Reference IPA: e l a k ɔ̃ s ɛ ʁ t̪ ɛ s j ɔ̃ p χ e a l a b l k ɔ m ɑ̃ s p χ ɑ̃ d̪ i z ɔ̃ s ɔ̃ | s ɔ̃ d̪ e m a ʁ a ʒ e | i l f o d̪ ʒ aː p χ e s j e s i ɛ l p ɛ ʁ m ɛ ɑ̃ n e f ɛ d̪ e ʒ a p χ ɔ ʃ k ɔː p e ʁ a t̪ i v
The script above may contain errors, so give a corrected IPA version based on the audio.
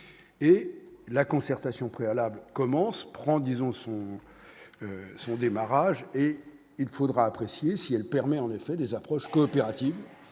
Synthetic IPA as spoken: e l a k ɔ̃ s ɛ ʁ t̪ a s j ɔ̃ p χ e a l a b l k ɔ m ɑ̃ s p χ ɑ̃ d̪ i z ɔ̃ s ɔ̃ | s ɔ̃ d̪ e m a ʁ a ʒ e | i l f o d̪ ʁ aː p χ e s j e s i ɛ l p ɛ ʁ m ɛ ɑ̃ n e f ɛ d̪ e z a p χ ɔ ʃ k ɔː p e ʁ a t̪ i v